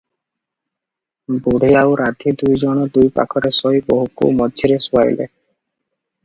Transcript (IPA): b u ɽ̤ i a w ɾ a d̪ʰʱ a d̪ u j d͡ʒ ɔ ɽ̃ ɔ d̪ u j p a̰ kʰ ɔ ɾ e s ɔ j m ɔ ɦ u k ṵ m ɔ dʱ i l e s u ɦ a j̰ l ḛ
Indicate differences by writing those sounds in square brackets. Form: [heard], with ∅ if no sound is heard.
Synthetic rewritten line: b u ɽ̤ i a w ɾ a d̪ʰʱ [i] d̪ u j d͡ʒ ɔ ɽ̃ ɔ d̪ u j p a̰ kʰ ɔ ɾ e s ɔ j [b] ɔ ɦ u k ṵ m ɔ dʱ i [ɾ] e s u [∅] a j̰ l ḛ